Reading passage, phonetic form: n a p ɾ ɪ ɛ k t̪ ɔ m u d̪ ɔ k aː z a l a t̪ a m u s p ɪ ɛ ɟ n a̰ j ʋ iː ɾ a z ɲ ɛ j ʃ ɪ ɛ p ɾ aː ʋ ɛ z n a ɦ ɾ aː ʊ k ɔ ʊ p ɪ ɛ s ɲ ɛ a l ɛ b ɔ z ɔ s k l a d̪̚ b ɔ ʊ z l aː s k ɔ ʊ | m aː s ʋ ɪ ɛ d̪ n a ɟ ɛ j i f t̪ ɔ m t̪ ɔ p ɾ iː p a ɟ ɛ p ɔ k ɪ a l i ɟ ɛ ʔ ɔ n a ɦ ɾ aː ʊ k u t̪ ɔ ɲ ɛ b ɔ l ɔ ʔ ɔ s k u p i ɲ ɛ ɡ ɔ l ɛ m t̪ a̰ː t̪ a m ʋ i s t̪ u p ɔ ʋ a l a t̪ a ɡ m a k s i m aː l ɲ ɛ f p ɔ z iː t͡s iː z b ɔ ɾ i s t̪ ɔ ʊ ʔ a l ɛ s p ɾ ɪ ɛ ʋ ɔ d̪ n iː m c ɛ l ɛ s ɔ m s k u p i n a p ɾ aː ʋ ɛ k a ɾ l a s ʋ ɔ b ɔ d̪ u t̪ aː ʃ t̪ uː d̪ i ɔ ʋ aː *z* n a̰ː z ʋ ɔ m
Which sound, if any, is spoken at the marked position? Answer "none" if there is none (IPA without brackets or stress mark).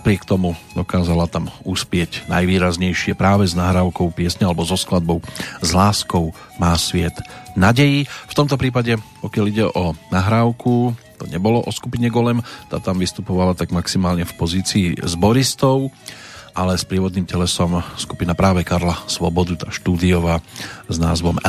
z